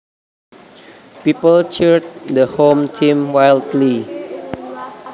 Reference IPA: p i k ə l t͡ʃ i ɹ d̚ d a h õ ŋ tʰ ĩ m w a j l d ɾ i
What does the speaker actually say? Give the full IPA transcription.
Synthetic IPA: p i p ə l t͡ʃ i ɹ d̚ d ə h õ m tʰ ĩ m w a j l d l i